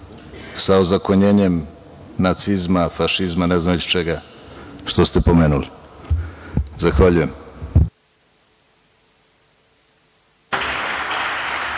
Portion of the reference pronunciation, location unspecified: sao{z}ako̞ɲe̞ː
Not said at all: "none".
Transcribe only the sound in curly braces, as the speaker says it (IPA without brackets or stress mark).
z